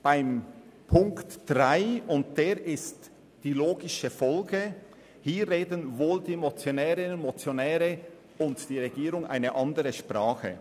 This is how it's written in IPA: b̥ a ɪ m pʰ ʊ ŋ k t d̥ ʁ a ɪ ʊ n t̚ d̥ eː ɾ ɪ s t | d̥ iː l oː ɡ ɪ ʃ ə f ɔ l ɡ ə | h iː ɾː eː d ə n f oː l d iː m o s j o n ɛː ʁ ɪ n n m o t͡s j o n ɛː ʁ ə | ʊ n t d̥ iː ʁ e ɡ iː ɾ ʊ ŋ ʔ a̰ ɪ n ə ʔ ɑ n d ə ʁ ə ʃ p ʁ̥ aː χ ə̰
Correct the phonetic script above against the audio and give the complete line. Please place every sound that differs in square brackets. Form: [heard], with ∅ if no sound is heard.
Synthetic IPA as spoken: b̥ a ɪ m pʰ ʊ ŋ k t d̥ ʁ a ɪ ʊ n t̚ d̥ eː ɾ ɪ s t | d̥ iː l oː ɡ ɪ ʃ ə f ɔ l ɡ ə | h iː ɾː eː d ə n [v] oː l d iː m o [t͡s] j o n ɛː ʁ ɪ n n m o t͡s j o n ɛː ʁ ə | ʊ n t d̥ iː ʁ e ɡ iː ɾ ʊ ŋ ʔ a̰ ɪ n ə ʔ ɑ n d ə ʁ ə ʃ p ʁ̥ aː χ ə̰